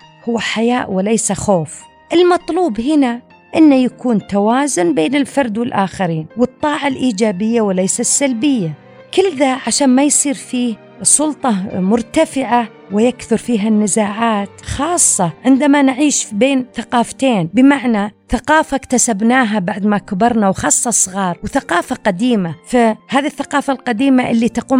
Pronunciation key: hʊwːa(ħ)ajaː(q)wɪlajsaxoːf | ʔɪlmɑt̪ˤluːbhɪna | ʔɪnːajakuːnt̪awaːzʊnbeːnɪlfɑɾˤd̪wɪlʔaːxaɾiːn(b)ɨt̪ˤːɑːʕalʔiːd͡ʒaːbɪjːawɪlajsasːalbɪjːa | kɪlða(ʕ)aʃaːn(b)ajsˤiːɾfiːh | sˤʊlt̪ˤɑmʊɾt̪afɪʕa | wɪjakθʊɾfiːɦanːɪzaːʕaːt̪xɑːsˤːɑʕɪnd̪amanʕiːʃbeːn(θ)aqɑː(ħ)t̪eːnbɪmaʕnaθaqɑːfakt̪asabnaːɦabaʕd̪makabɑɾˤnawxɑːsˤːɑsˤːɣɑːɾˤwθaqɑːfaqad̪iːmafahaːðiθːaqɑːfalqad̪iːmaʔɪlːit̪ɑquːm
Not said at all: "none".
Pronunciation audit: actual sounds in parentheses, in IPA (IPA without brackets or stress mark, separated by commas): ħ, ʔ, w, ʕ, m, θ, f